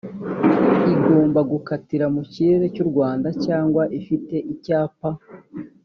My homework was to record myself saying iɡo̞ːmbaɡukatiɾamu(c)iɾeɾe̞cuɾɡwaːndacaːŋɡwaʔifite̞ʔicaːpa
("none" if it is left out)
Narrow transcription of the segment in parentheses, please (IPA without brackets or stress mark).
c